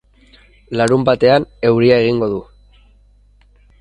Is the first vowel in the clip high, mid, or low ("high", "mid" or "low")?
low